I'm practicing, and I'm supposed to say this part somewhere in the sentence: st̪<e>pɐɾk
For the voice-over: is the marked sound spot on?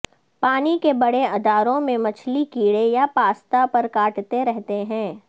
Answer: no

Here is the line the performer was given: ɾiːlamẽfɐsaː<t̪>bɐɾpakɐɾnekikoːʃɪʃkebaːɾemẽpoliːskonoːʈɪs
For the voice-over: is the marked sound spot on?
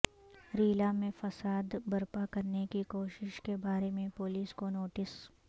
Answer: no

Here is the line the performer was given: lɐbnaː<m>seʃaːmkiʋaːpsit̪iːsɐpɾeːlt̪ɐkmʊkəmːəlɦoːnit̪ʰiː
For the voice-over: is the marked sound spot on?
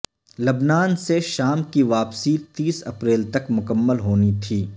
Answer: no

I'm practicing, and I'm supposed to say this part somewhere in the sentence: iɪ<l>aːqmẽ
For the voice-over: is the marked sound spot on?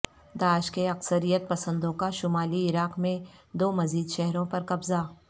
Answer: no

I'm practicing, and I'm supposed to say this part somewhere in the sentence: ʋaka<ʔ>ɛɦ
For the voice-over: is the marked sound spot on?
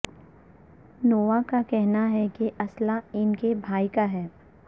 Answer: no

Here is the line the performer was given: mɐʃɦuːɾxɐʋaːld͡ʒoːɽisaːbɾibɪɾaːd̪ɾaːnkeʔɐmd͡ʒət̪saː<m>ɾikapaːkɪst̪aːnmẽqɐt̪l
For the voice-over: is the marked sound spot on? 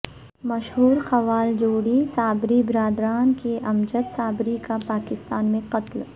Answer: no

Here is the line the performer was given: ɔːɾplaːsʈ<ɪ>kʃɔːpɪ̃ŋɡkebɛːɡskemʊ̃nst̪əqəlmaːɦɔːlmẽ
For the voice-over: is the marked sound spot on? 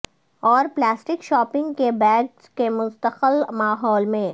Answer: yes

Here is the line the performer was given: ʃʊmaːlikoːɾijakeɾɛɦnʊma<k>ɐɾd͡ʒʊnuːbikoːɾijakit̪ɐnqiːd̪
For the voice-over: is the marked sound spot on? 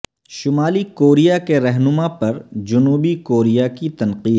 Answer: no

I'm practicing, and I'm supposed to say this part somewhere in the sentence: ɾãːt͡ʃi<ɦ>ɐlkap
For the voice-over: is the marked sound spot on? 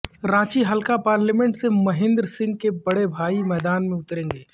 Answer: yes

